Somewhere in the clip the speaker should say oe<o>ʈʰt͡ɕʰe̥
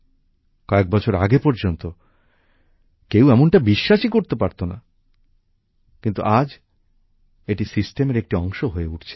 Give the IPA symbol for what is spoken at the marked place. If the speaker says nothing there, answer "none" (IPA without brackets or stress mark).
u